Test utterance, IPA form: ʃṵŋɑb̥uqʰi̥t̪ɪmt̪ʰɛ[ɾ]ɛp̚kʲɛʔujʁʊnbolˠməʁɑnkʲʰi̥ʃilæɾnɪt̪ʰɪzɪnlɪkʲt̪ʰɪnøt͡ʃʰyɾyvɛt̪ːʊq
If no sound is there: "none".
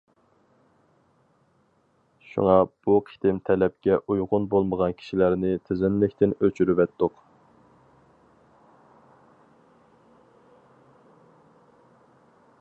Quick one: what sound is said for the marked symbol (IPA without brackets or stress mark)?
l